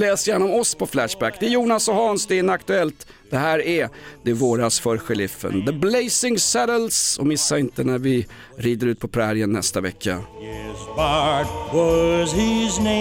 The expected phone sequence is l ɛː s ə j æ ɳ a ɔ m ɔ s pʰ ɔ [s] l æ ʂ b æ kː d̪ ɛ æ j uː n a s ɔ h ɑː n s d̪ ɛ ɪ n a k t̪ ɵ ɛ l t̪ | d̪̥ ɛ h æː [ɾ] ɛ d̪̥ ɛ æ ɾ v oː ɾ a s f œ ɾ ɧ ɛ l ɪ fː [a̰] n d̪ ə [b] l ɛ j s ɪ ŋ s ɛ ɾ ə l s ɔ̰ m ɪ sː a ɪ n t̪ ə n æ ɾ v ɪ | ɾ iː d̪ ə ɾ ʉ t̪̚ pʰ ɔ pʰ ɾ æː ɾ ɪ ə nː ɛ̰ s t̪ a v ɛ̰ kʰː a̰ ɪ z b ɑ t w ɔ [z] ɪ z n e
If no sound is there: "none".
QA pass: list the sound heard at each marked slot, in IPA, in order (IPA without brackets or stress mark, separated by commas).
f, ɾ, ə̰, b, z